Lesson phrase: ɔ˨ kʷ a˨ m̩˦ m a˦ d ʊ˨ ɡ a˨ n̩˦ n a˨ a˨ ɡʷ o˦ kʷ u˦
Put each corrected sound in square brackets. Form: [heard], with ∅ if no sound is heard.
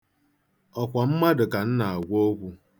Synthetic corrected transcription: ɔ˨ kʷ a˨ m̩˦ m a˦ d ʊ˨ [k] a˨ n̩˦ n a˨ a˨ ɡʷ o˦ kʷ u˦